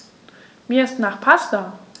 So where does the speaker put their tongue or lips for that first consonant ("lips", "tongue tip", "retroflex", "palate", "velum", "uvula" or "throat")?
lips